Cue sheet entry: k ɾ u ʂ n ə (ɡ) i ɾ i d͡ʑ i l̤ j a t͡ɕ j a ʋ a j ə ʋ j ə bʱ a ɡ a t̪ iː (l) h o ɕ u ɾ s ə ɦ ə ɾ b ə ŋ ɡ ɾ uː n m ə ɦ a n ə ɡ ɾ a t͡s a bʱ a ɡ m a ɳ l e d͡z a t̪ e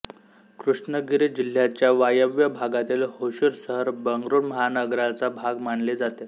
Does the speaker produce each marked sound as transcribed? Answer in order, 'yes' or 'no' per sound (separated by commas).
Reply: yes, yes